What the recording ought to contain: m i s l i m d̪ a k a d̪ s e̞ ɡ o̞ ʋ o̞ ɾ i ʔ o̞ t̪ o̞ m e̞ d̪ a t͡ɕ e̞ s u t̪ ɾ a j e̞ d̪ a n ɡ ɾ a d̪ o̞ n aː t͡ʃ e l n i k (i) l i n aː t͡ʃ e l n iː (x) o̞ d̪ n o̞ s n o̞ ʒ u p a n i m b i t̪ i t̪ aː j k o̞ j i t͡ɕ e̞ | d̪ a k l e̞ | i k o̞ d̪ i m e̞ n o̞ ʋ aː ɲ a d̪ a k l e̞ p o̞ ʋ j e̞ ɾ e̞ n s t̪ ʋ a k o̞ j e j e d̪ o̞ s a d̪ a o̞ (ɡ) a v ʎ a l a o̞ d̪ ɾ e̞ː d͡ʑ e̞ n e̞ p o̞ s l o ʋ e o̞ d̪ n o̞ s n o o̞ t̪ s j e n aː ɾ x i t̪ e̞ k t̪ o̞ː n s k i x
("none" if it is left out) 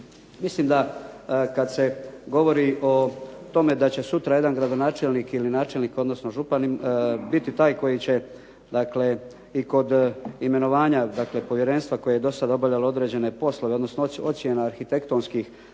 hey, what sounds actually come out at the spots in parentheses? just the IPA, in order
i, k, b

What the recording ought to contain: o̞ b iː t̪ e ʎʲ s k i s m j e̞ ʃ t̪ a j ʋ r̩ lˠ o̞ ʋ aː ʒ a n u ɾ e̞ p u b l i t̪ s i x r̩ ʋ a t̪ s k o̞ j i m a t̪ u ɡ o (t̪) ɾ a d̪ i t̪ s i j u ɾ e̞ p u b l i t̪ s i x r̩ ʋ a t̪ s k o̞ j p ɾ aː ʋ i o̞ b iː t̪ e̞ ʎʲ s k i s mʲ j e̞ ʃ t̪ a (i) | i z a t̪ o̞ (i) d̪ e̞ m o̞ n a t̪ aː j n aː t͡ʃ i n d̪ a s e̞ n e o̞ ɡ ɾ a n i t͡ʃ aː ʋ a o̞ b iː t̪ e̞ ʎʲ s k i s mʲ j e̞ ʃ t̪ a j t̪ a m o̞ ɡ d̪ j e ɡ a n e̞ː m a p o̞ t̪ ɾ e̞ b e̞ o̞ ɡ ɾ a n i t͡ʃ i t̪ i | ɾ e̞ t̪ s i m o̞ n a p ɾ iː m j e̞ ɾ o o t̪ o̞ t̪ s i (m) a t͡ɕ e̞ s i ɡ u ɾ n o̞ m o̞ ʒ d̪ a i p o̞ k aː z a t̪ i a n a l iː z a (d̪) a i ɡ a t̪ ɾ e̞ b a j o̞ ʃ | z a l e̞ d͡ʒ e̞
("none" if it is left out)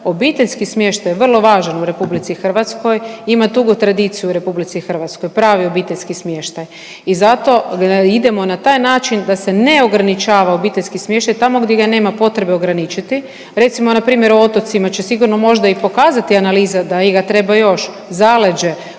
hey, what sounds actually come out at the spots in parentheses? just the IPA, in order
t̪, j, i, m, d̪

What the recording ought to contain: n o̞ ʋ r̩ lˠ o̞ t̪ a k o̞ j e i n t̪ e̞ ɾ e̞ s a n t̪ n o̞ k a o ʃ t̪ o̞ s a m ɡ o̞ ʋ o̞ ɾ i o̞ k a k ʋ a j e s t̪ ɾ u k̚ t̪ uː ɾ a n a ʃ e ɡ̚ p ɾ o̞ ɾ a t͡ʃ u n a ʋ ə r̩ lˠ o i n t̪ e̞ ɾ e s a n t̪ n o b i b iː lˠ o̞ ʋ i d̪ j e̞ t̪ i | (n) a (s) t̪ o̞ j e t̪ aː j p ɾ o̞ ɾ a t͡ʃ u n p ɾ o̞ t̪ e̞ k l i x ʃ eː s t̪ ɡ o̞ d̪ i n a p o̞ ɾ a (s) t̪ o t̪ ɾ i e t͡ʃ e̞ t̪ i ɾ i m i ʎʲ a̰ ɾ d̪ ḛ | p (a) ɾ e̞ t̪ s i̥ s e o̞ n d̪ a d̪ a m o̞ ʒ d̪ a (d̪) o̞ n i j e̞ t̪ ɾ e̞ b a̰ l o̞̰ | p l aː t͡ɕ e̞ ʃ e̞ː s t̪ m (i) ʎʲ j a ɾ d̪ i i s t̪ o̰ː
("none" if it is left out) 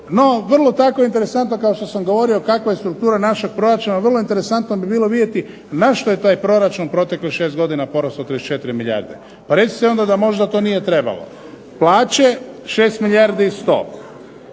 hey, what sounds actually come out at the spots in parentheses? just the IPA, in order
n, ʃ, s, a, t̪, i

